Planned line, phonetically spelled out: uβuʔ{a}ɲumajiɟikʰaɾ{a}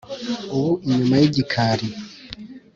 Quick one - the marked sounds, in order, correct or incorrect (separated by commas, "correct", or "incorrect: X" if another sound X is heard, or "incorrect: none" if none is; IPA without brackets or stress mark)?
incorrect: i, incorrect: i